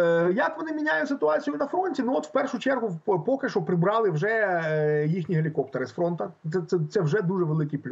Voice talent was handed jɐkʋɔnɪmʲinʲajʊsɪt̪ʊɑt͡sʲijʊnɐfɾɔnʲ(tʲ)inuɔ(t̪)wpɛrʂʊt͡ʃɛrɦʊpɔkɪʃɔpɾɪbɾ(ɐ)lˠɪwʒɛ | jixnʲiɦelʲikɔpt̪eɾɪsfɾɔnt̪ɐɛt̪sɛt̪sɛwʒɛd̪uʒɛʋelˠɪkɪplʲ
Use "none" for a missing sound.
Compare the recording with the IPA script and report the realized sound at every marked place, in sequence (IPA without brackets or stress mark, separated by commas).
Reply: tʲ, t̪, ɑ